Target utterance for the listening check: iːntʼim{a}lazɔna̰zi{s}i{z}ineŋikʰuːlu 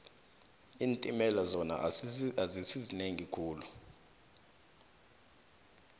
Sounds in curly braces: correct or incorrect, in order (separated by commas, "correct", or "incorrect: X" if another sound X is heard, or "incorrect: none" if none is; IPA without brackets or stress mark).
incorrect: ɛ, correct, correct